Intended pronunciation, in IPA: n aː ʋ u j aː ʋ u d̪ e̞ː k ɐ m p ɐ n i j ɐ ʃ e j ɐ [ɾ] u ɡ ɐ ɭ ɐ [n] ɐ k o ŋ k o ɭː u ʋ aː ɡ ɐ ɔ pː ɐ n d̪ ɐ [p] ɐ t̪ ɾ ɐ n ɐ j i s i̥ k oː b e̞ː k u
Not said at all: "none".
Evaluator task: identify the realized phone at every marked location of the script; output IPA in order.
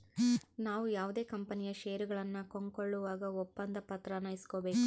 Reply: ɾ, nː, p

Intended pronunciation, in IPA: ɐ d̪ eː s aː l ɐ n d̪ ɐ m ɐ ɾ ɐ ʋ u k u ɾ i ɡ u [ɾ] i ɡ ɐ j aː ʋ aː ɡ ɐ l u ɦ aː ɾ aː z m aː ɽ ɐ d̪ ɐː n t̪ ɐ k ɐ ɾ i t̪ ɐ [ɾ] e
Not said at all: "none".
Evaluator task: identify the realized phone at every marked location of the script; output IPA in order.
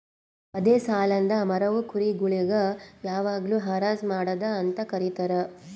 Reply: ɭ, ɾ

